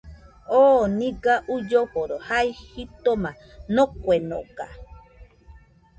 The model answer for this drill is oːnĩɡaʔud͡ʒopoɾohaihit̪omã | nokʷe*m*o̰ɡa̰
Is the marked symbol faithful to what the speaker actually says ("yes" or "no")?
no